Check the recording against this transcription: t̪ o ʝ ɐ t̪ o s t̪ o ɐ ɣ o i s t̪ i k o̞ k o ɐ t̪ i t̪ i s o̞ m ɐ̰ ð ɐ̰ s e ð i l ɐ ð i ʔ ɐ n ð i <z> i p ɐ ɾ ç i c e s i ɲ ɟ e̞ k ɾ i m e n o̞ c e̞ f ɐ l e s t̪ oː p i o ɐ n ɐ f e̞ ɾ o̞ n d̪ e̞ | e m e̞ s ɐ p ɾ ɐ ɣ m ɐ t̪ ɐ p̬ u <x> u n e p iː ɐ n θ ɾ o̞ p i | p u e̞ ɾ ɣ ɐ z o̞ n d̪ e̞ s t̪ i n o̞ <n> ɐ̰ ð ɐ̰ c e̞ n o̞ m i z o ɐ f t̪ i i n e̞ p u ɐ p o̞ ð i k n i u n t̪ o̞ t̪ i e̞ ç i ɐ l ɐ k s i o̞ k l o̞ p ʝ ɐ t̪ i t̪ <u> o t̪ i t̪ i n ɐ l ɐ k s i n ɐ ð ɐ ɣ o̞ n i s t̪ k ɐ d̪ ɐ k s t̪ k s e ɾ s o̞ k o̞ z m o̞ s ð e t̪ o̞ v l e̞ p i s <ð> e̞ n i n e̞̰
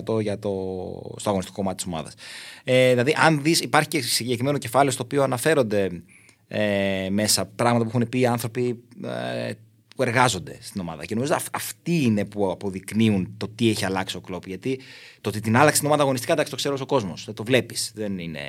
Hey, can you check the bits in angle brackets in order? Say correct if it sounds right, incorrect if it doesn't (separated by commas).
incorrect, correct, incorrect, incorrect, correct